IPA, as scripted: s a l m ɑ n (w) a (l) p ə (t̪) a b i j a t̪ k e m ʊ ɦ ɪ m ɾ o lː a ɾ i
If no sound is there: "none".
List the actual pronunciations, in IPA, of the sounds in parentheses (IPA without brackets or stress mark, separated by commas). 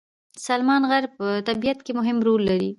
ɣ, ɾ, t̪